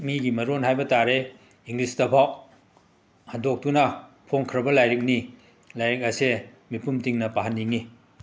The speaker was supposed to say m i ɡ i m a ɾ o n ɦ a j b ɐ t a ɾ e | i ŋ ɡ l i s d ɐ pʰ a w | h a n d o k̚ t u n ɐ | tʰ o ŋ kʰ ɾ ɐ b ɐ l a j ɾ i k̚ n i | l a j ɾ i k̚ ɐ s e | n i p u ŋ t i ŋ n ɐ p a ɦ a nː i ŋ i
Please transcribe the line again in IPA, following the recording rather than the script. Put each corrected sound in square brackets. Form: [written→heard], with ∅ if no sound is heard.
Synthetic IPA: m i ɡ i m [a→ɐ] ɾ o n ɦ a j b ɐ t a ɾ e | i ŋ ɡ l i s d ɐ pʰ a w | h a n d o k̚ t u n ɐ | [tʰ→pʰ] o ŋ kʰ ɾ ɐ b ɐ l a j ɾ i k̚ n i | l a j ɾ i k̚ ɐ s e | [n→m] i p u [ŋ→m] t i ŋ n ɐ p a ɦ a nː i ŋ i